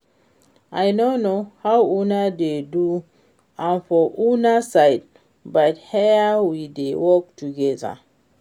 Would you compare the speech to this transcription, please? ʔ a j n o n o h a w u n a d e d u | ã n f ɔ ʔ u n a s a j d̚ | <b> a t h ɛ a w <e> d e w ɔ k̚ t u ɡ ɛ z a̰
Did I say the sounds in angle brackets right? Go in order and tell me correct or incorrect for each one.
correct, incorrect

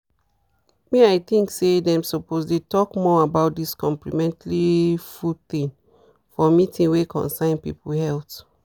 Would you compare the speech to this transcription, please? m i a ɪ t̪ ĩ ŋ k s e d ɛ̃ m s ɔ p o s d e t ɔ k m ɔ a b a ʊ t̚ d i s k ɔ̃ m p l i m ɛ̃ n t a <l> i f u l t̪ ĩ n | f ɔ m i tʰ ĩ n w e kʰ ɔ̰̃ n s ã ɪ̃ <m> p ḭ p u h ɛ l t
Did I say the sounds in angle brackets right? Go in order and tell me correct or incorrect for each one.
correct, incorrect

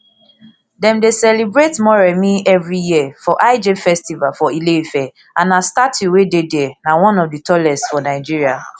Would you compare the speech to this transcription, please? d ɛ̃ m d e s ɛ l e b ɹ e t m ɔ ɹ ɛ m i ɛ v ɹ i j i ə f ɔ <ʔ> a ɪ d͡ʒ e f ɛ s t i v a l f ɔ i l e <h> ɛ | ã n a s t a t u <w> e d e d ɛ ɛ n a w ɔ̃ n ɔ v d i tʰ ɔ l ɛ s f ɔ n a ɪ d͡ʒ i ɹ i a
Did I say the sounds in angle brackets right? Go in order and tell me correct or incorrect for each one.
correct, incorrect, correct

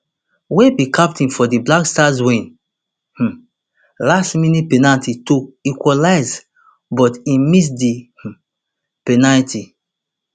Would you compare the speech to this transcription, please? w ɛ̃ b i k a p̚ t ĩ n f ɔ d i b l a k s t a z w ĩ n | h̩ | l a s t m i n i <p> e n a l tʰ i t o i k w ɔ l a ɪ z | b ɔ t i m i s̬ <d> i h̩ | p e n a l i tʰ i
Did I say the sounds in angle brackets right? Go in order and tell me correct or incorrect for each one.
correct, correct

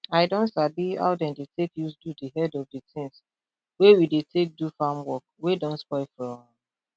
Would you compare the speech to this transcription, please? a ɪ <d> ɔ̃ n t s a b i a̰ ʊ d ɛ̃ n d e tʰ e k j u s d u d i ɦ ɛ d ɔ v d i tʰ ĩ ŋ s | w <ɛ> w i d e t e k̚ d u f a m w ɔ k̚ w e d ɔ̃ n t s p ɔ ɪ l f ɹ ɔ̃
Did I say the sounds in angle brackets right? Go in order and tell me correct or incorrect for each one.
correct, incorrect

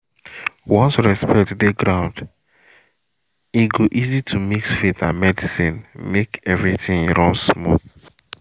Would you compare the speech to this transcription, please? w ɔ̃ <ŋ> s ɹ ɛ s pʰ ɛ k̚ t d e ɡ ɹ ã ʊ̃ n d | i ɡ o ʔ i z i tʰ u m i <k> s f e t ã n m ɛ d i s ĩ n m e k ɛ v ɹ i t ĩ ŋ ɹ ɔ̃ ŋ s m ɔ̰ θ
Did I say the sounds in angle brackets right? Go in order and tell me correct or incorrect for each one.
incorrect, correct

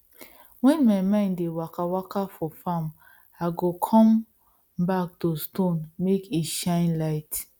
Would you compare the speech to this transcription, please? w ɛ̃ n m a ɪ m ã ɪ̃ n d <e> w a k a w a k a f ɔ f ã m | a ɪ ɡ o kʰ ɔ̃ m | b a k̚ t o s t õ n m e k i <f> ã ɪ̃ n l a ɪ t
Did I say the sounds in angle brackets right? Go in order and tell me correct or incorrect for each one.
correct, incorrect

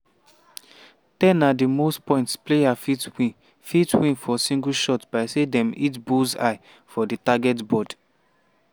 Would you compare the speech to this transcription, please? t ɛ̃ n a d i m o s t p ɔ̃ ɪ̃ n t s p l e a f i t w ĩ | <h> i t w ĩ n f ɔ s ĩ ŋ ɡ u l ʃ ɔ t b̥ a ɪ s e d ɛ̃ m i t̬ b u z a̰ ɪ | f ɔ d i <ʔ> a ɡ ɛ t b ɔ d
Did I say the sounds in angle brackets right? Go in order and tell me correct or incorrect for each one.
incorrect, incorrect

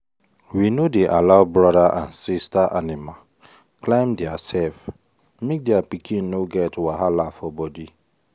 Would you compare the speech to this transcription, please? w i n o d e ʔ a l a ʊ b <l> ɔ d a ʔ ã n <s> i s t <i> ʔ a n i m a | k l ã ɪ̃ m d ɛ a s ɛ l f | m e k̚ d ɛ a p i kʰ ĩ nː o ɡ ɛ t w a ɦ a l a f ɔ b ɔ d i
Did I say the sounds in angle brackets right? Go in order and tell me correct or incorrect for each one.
incorrect, correct, incorrect

